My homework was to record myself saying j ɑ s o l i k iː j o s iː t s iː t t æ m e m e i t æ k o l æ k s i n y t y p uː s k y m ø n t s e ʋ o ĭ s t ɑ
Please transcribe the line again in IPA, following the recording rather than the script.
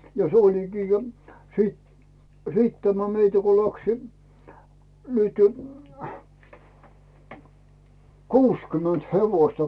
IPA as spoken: j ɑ s o l i k iː j o s iː t s iː t t æ m æ m e i t æ k o l æ k s i n y t y k uː s k y m ø n t h e ʋ o ĭ s t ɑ